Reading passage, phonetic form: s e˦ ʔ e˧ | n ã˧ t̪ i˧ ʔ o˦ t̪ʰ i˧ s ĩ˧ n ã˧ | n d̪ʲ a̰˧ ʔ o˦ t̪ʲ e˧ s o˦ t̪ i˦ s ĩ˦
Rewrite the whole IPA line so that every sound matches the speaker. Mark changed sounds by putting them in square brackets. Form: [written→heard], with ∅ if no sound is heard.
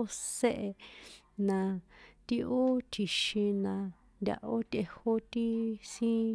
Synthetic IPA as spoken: s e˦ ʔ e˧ | n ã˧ t̪ i˧ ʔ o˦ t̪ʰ i˧ [s→ʃ] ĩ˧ n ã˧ | n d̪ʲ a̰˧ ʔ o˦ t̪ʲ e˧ [s→h] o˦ t̪ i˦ s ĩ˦